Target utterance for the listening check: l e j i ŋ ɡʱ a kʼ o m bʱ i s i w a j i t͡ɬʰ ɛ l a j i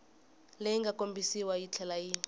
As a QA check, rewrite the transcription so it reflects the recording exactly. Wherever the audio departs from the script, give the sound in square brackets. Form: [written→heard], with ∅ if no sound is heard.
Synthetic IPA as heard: l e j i ŋ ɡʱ a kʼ o m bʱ i s i w a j i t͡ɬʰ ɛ l a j i